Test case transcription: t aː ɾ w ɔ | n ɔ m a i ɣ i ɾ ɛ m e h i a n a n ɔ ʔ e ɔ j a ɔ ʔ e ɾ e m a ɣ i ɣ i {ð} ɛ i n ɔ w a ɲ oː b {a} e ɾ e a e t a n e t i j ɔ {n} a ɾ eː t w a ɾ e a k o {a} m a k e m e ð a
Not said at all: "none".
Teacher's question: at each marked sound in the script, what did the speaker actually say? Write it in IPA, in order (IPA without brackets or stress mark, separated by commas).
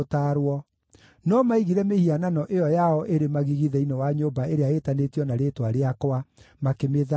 ð, a, n, a